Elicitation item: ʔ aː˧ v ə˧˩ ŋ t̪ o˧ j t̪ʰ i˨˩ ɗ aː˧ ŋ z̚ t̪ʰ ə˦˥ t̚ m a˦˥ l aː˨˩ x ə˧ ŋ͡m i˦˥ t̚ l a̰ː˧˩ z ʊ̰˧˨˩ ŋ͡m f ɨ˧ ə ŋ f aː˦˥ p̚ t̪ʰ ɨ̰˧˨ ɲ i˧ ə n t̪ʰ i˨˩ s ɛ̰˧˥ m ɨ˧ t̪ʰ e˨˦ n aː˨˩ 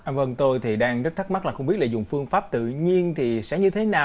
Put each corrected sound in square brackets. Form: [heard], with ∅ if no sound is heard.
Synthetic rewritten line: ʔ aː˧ v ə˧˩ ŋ t̪ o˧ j t̪ʰ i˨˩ ɗ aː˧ ŋ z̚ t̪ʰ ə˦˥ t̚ m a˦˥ l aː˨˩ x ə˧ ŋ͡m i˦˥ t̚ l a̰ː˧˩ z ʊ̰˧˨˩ ŋ͡m f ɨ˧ ə ŋ f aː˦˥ p̚ [t̪] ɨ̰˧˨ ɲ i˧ ə n t̪ʰ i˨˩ s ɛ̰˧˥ [ɲ] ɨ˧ t̪ʰ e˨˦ n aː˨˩